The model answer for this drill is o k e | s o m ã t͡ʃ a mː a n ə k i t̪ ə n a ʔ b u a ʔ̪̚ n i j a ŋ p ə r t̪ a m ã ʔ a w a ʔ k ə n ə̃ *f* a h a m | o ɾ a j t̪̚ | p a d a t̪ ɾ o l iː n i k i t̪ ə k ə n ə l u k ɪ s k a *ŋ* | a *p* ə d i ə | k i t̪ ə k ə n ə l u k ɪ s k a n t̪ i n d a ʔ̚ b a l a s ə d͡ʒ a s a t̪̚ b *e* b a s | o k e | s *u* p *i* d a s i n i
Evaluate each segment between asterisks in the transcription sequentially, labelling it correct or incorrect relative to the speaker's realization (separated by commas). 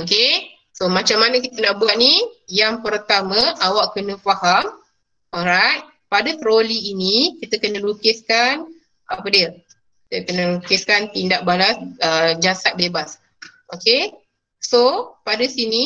correct, incorrect, correct, correct, incorrect, incorrect